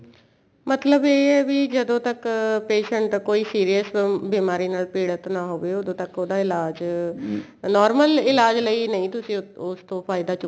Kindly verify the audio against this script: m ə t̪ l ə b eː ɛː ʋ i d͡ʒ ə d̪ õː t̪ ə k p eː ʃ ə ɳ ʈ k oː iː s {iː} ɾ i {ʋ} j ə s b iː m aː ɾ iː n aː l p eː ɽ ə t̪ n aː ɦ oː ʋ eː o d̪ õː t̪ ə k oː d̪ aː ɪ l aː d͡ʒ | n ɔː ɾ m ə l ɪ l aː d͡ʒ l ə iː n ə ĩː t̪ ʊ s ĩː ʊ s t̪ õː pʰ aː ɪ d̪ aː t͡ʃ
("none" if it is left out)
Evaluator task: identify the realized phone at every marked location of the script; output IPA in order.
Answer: iː, none

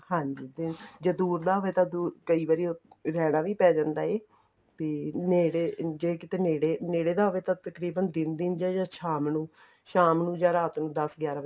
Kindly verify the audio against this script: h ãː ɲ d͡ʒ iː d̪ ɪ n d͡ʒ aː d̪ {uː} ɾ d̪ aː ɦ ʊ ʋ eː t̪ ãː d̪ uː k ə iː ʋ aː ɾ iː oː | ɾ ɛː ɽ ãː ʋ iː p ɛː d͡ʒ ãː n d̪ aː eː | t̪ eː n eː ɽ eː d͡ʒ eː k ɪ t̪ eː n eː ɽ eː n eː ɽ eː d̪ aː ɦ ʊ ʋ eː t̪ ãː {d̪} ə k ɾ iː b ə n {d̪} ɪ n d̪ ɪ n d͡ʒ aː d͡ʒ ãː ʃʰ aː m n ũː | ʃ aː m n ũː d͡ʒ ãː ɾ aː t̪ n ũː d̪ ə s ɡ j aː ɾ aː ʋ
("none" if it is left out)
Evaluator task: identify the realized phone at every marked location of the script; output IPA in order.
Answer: uː, t̪, d̪

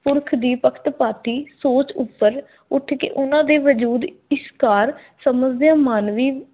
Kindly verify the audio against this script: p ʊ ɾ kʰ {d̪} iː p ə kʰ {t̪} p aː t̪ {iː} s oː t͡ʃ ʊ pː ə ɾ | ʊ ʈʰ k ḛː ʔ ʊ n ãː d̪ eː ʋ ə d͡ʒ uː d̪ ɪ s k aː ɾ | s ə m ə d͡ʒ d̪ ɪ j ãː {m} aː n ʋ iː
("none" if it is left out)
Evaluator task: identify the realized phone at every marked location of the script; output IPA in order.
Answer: d̪, t̪, iː, m

